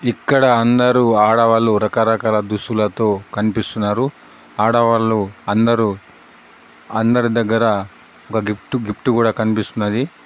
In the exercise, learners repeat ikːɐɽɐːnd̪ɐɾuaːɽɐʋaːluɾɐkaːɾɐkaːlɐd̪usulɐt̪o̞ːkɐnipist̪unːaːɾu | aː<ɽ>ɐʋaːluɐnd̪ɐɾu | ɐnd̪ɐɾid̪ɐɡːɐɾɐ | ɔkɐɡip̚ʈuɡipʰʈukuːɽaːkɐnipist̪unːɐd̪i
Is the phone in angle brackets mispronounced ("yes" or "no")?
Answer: no